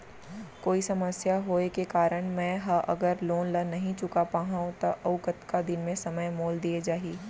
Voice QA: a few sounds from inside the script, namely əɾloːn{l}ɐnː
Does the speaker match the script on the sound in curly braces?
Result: yes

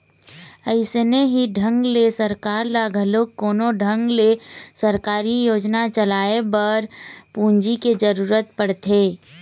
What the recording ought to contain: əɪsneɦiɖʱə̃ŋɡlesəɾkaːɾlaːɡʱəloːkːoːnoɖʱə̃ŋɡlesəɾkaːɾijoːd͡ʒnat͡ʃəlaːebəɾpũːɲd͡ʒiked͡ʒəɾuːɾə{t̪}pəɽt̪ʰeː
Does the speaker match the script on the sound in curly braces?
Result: yes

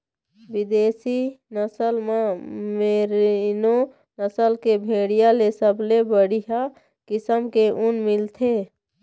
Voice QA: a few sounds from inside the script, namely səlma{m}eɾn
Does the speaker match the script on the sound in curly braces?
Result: yes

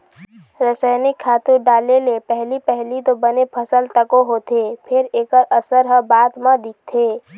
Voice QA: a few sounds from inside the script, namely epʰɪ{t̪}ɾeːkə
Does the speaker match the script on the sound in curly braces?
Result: no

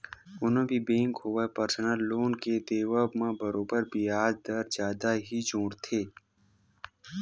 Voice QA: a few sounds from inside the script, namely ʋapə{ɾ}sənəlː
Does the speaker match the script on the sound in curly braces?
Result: yes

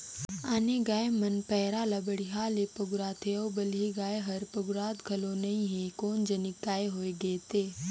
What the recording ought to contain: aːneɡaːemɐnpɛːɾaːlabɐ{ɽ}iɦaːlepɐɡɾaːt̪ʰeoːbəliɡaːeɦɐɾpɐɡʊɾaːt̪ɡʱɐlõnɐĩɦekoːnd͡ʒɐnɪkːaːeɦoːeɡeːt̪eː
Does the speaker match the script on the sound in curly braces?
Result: yes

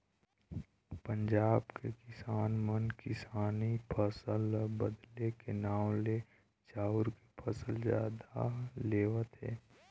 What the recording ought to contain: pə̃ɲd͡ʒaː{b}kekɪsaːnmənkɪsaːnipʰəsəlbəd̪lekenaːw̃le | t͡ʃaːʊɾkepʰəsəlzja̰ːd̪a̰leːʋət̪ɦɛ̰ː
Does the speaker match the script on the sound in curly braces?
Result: yes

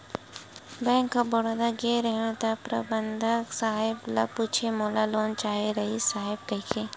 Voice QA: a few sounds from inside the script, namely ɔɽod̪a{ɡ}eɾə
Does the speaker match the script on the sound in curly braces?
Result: yes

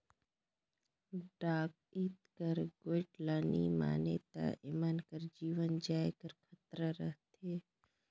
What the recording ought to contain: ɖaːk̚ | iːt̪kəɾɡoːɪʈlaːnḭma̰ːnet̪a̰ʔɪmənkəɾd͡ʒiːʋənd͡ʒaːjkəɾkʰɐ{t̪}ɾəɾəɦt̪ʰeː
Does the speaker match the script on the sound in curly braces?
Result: yes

